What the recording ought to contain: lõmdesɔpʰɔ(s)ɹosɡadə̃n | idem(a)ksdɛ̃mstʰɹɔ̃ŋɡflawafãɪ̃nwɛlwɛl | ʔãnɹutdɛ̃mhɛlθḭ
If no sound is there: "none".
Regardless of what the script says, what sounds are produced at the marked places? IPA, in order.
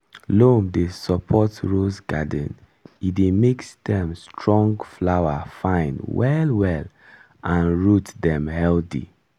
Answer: t, e

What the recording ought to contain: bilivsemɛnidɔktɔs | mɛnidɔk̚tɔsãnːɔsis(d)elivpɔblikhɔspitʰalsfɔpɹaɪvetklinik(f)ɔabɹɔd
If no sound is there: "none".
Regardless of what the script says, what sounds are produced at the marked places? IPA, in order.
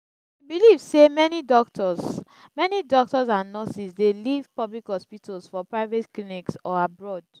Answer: d, s

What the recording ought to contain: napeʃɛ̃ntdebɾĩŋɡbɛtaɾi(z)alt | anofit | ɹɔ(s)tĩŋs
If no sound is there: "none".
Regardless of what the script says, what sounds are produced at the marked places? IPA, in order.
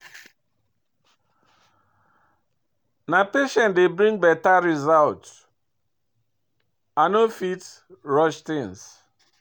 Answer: z, ʃ

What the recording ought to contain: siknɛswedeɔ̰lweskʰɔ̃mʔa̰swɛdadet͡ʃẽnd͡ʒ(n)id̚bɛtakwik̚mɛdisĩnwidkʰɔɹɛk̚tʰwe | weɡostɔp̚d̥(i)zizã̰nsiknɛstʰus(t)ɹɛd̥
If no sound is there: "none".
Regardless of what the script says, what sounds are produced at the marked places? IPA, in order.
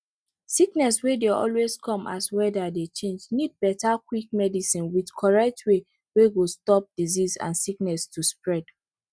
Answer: n, i, p

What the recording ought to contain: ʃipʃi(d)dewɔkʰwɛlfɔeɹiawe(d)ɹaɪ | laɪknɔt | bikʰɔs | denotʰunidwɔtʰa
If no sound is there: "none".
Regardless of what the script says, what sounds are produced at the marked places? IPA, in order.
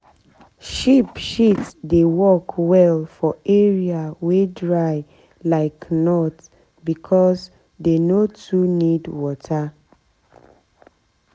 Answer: t, d

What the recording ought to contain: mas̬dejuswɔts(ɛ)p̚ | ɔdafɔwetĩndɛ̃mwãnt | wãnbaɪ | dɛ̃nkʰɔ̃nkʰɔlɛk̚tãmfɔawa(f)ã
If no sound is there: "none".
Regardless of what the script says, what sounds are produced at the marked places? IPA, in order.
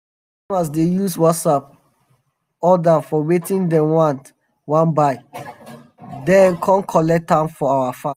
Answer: a, f

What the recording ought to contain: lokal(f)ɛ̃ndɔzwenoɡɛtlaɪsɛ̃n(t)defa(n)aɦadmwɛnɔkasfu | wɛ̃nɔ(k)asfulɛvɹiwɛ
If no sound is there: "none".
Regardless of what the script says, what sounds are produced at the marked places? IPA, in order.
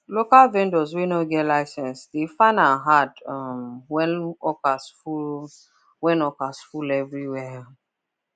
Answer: v, s, n, k

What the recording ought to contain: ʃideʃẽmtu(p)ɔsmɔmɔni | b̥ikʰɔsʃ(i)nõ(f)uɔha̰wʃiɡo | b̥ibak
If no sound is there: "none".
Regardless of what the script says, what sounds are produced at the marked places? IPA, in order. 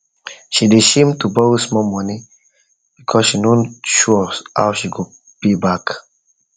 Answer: b, i, ʃ

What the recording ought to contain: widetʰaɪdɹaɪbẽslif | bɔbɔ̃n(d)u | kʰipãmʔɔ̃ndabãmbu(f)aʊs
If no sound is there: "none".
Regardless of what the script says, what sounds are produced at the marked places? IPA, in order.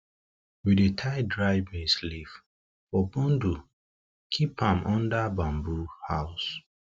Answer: d, h

